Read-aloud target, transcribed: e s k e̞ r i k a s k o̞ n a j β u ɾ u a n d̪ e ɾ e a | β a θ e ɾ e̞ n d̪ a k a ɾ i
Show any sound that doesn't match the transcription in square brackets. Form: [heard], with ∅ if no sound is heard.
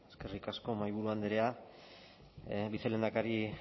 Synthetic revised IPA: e s k e̞ r i k a s k o̞ [m] a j β u ɾ u a n d̪ e ɾ e a | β [i] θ e [l] e̞ n d̪ a k a ɾ i